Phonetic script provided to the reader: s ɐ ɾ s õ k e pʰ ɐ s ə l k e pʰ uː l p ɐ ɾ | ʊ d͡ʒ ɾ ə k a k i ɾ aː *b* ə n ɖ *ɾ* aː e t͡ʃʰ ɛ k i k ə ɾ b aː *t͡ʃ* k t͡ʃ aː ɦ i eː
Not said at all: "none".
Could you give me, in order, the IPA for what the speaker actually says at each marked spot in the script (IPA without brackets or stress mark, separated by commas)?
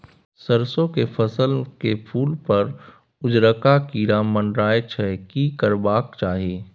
m, ɾ, none